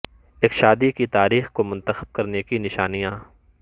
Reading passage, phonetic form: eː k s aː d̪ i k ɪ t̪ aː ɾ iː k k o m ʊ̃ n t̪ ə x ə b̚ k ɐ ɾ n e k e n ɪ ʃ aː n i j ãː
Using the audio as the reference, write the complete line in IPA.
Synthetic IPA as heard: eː k ʃ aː d̪ i k i t̪ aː ɾ iː x k o m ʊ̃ n t̪ ə x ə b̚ k ɐ ɾ n e k i n ɪ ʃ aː n i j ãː